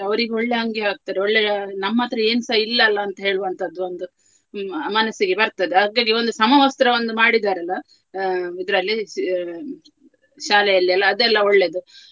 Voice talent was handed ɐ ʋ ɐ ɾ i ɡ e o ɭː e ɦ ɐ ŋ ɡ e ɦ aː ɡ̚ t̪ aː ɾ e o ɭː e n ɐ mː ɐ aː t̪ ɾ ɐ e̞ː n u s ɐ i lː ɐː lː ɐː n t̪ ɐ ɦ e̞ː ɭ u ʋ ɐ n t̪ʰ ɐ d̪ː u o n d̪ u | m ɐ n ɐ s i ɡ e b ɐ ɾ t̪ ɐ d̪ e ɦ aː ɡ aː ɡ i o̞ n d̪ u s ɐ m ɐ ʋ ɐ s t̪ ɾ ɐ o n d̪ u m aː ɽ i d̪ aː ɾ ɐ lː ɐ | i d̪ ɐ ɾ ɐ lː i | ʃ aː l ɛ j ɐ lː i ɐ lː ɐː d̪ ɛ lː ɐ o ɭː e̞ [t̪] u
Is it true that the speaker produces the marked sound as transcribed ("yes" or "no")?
no